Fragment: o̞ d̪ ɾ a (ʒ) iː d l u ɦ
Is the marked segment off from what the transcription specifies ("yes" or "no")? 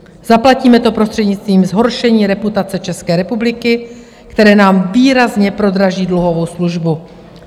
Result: no